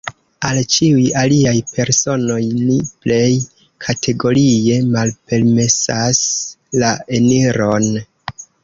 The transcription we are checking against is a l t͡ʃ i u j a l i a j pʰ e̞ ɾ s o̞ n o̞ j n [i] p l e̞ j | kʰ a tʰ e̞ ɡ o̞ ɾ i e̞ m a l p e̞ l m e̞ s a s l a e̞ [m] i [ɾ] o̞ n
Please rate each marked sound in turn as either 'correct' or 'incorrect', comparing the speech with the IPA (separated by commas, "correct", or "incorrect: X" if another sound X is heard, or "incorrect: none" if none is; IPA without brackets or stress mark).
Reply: correct, incorrect: n, correct